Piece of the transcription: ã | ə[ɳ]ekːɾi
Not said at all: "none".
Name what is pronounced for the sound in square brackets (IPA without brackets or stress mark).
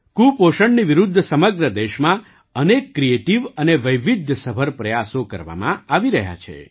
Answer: n